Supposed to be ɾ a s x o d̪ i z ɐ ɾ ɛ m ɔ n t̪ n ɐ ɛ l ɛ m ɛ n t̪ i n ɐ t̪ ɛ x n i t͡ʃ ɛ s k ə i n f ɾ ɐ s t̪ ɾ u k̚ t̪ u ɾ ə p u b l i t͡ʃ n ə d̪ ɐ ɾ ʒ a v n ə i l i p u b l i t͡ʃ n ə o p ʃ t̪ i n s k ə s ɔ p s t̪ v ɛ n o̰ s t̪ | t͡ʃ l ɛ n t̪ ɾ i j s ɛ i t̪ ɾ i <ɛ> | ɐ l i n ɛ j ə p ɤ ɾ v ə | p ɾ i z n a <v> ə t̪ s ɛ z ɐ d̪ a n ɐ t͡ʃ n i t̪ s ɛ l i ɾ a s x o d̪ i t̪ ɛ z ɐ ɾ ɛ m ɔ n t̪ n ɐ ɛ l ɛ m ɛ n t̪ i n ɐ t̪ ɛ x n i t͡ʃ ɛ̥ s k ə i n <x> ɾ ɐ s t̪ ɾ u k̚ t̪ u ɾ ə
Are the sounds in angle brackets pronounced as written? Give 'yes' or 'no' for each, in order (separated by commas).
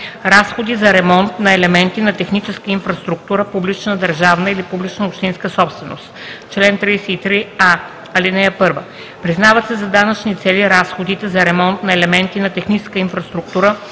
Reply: no, yes, no